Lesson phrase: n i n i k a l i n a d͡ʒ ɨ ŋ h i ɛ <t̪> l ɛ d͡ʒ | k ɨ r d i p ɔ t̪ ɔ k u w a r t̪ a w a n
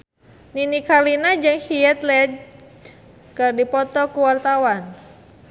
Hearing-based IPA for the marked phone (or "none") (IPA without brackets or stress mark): t̪